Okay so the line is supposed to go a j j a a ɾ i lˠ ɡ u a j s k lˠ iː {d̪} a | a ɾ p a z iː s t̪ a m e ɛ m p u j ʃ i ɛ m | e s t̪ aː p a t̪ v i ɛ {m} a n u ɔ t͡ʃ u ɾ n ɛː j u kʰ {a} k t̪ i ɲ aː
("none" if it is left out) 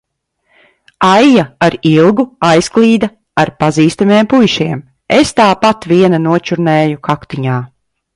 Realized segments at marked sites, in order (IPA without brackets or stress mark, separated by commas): d̪, n, a